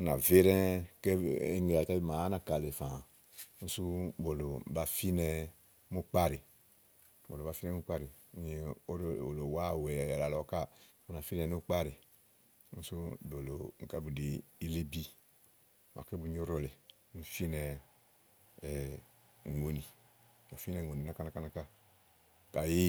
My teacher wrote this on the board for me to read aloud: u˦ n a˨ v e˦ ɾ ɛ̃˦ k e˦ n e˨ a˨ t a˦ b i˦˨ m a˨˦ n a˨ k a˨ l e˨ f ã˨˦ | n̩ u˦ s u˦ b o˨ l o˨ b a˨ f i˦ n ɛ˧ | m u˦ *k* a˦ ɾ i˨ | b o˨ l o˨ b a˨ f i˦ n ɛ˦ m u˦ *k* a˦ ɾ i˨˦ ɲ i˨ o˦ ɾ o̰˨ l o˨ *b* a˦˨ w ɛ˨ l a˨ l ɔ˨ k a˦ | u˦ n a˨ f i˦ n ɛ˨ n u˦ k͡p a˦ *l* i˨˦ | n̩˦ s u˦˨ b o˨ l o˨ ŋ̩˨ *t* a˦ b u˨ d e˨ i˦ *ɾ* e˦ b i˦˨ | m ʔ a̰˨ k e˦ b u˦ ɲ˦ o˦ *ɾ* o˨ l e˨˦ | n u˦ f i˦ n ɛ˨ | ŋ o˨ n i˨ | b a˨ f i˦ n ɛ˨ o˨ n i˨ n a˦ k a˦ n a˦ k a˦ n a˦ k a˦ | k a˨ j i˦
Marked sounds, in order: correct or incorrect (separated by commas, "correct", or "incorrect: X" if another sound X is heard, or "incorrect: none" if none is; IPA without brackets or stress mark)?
incorrect: k͡p, incorrect: k͡p, incorrect: w, incorrect: ɾ, incorrect: k, incorrect: l, correct